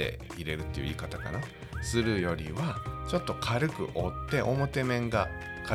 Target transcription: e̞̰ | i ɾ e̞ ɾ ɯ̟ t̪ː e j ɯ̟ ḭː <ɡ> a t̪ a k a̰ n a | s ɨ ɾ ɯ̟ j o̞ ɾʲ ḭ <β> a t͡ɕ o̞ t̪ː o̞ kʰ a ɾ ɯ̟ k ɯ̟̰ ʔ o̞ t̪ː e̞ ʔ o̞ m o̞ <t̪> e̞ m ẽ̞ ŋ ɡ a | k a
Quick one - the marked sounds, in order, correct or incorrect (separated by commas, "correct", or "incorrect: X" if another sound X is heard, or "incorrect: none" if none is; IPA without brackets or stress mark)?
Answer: incorrect: k, correct, correct